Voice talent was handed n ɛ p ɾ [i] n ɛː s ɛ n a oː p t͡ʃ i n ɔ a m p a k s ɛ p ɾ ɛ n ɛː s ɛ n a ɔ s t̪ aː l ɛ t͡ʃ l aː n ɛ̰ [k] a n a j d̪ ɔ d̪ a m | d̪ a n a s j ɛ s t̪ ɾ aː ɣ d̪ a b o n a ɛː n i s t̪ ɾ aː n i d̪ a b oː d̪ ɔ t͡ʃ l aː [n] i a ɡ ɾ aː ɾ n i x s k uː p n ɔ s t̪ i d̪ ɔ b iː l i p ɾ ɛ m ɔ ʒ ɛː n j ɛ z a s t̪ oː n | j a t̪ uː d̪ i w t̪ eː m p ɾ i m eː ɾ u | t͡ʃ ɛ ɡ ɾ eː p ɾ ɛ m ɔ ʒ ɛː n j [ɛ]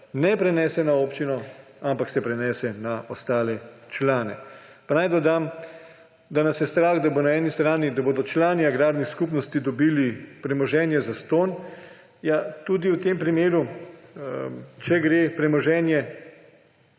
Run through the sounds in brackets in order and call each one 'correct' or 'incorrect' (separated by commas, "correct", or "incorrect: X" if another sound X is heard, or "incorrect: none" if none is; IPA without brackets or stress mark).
incorrect: ɛ, incorrect: p, correct, correct